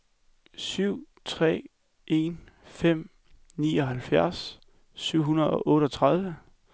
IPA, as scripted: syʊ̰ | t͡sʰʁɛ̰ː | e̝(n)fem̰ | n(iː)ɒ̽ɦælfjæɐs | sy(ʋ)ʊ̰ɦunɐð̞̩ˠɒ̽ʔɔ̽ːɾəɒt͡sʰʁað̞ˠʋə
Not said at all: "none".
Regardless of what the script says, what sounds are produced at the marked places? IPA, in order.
n, iː, none

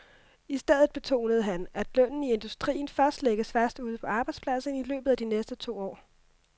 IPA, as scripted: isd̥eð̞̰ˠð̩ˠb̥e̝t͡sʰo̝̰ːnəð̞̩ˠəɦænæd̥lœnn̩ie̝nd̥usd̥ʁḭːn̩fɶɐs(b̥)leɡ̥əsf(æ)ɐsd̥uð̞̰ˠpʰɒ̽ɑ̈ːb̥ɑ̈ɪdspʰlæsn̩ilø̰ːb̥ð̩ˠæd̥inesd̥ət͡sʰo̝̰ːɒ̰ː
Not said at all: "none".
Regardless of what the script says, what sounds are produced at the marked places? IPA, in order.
d̥, æ

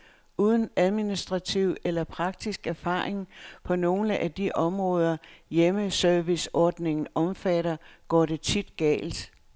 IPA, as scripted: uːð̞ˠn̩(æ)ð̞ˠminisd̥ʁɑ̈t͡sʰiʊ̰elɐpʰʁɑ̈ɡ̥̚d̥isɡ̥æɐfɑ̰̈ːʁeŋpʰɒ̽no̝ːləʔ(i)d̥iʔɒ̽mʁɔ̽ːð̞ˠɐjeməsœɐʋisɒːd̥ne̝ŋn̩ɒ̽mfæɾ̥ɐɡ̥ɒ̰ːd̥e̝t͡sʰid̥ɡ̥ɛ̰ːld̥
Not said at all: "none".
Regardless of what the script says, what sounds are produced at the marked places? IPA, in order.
æ, æ

